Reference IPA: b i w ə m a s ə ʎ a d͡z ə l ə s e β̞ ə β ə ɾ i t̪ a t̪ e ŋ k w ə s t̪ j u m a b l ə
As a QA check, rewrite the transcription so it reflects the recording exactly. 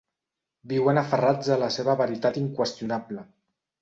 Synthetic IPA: b i w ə n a f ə r a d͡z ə l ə s e β̞ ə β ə ɾ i t̪ a t̪ i ŋ k w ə s t̪ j u n a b l ə